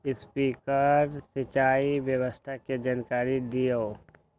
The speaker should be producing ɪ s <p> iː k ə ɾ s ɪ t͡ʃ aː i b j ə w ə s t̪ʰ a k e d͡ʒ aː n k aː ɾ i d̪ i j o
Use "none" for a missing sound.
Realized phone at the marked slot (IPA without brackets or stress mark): p